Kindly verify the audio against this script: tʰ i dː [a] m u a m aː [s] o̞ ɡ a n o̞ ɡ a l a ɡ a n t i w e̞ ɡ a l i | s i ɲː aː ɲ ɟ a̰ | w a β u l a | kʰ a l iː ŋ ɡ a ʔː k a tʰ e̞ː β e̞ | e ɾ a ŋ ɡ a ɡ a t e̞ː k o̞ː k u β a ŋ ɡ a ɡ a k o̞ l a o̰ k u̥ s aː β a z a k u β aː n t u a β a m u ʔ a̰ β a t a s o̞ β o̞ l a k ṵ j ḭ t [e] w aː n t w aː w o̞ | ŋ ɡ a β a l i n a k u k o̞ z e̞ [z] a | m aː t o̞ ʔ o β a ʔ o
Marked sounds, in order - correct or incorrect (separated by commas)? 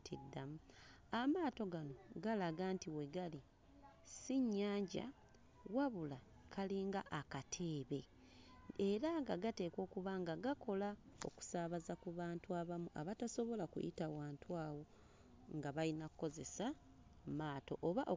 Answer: correct, incorrect, incorrect, incorrect